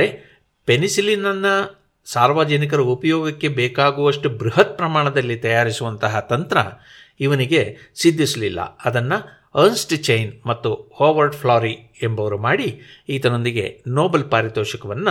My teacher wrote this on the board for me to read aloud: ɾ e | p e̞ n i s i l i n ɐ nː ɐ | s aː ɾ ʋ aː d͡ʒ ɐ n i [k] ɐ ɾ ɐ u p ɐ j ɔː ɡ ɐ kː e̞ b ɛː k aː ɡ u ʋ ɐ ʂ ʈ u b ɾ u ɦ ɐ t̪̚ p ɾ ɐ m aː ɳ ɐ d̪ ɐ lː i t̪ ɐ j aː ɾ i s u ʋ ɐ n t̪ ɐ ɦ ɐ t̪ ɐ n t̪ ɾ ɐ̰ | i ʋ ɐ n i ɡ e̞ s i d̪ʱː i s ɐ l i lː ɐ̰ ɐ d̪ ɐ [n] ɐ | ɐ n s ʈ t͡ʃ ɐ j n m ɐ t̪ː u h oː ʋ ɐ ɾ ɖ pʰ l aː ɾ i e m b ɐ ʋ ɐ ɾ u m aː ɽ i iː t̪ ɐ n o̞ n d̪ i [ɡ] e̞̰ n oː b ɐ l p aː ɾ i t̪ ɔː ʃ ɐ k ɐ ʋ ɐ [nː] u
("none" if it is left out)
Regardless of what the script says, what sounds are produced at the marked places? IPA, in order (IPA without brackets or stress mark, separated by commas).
k, nː, ɡ, nː